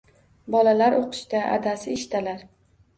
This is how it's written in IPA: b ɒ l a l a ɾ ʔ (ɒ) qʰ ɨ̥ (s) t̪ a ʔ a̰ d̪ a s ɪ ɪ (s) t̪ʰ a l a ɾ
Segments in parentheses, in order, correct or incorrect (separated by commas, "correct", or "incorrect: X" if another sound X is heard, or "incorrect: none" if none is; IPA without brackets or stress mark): incorrect: o, incorrect: ʃ, incorrect: ʃ